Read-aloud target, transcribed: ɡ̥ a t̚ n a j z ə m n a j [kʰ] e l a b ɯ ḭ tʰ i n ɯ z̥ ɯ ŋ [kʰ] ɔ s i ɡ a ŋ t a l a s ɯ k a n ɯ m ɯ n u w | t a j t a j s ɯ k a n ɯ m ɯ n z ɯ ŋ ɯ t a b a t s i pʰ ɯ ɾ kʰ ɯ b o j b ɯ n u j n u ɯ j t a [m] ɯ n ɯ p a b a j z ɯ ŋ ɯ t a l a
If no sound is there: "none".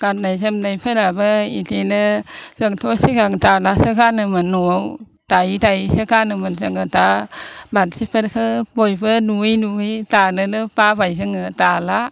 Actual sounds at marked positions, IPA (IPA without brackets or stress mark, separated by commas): pʰ, tʰ, n